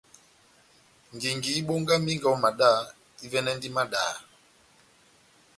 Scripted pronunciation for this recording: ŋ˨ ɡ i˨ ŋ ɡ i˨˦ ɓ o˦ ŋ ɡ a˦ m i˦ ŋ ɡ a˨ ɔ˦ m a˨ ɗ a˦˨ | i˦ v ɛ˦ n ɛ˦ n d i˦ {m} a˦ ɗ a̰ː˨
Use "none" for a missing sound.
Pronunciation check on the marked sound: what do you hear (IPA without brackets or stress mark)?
m